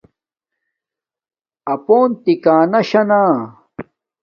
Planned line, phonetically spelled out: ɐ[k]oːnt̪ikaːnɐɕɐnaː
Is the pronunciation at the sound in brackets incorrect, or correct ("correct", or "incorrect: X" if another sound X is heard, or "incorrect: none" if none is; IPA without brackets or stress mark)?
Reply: incorrect: p